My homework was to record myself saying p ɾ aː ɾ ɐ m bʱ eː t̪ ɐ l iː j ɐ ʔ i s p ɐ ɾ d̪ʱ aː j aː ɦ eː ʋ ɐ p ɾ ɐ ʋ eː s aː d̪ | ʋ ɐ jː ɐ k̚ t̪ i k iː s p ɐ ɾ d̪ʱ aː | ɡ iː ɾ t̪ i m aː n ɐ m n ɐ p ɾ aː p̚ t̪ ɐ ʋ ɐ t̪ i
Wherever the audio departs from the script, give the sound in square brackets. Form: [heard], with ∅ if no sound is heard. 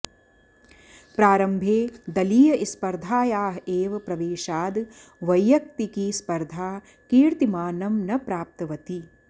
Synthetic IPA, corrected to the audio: p ɾ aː ɾ ɐ m bʱ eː [d̪] ɐ l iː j ɐ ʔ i s p ɐ ɾ d̪ʱ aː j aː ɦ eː ʋ ɐ p ɾ ɐ ʋ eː [ʃ] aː d̪ | ʋ ɐ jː ɐ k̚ t̪ i k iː s p ɐ ɾ d̪ʱ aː | [k] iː ɾ t̪ i m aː n ɐ m n ɐ p ɾ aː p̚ t̪ ɐ ʋ ɐ t̪ i